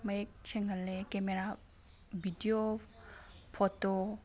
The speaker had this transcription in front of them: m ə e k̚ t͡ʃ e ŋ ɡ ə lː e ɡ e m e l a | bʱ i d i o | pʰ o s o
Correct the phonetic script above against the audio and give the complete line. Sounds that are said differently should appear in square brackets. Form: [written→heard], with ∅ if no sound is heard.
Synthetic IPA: m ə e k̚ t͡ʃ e ŋ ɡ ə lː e [ɡ→k] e m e [l→ɾ] a | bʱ i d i o | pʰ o [s→t] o

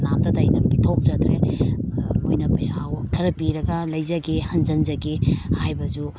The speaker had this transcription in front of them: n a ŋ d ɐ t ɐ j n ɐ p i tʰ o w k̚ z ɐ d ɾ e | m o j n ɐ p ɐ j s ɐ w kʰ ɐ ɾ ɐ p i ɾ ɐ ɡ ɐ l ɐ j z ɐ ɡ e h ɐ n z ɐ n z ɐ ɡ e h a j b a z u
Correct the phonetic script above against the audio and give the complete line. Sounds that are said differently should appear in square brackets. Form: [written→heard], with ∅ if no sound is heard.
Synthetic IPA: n a [ŋ→m] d ɐ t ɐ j n ɐ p i tʰ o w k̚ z ɐ d ɾ e | m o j n ɐ p ɐ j s [ɐ→a] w kʰ ɐ ɾ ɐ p i ɾ ɐ ɡ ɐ l ɐ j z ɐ ɡ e h ɐ n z ɐ n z ɐ ɡ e h a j b [a→ɐ] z u

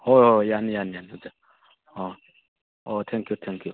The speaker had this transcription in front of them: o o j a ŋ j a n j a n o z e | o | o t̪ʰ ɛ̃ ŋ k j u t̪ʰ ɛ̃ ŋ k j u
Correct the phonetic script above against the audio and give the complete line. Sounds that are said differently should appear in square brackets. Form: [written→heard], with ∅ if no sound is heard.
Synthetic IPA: o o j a [ŋ→n] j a n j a n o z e | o | o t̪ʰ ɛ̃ ŋ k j u t̪ʰ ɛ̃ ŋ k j u

